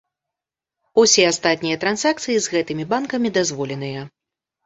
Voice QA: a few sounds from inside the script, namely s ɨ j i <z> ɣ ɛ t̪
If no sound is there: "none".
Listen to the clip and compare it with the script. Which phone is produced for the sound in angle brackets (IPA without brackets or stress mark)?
z